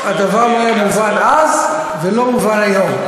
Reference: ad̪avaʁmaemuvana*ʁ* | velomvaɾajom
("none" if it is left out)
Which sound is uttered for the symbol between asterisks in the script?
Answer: z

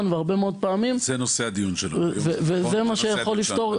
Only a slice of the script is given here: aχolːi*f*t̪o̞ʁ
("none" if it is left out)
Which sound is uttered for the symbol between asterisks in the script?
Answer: f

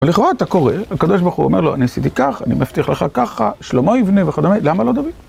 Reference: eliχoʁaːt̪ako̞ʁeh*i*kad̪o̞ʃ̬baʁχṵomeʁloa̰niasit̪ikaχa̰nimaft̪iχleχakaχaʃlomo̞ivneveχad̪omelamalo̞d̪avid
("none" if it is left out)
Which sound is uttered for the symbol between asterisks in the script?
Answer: a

